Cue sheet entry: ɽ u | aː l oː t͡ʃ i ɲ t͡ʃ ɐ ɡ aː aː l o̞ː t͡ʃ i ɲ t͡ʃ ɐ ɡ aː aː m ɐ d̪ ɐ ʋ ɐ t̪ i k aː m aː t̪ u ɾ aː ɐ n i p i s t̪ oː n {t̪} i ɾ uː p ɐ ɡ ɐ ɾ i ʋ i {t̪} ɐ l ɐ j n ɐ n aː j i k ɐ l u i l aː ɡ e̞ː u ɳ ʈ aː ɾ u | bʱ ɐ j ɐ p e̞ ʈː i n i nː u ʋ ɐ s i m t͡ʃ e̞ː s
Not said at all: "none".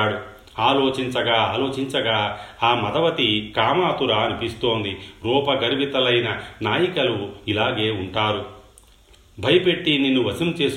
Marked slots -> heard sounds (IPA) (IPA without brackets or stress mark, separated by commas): d̪, t̪